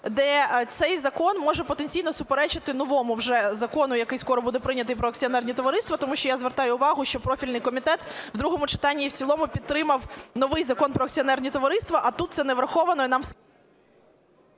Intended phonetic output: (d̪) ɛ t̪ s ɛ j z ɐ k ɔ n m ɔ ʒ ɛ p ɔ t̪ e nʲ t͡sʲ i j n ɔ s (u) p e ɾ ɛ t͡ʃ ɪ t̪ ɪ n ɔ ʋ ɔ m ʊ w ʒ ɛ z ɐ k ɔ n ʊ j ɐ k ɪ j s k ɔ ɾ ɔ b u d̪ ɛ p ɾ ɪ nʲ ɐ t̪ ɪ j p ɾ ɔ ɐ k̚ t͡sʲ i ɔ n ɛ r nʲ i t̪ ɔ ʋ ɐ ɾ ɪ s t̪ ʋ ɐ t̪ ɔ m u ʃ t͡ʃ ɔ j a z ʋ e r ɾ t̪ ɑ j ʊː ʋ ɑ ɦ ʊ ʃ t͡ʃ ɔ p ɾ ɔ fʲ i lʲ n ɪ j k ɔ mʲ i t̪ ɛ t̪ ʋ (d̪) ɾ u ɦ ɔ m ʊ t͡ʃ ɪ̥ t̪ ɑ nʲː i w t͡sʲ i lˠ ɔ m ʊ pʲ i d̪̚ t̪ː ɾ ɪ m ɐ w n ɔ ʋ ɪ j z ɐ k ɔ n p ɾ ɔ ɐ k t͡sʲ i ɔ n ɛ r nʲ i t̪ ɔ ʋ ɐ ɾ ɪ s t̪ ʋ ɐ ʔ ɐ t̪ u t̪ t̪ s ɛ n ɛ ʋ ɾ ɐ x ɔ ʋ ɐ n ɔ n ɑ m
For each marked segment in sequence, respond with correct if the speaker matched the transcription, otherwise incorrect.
correct, incorrect: ʊ, correct

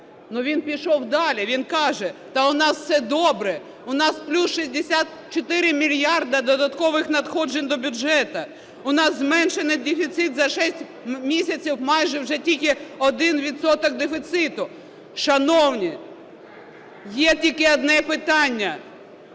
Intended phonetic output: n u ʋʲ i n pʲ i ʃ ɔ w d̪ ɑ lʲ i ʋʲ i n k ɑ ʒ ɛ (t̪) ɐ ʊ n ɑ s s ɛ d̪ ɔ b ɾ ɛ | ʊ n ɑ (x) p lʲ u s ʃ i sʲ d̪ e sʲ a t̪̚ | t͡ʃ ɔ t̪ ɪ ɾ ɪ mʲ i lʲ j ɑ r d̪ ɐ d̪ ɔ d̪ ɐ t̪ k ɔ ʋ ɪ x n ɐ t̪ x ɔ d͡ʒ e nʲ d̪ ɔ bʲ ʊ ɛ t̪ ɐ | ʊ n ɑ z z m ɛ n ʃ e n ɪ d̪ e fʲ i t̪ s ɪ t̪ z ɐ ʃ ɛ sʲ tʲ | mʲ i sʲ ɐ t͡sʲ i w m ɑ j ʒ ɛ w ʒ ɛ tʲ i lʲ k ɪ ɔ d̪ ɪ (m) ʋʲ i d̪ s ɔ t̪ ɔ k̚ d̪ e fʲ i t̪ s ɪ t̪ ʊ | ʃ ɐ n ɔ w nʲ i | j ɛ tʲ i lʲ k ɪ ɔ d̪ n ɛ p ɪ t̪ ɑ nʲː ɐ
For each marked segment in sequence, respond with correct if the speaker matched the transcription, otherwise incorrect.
correct, incorrect: s, incorrect: n

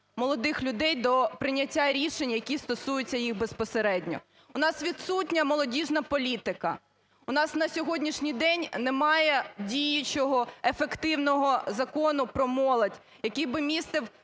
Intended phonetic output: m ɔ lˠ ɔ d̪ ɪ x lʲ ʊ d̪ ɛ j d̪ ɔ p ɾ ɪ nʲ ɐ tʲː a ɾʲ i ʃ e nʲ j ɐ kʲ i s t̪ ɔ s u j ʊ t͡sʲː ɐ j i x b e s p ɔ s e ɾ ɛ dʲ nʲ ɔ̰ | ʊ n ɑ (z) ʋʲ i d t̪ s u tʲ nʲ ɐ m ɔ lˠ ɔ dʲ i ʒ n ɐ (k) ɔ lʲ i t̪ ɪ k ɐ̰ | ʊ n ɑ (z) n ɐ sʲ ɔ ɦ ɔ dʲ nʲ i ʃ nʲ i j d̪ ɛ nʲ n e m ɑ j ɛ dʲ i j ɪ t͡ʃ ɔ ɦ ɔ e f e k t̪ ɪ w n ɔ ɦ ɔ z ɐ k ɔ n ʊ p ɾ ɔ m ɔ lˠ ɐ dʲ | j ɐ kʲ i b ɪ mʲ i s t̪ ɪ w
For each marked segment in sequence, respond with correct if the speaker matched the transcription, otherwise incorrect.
incorrect: s, incorrect: p, incorrect: s

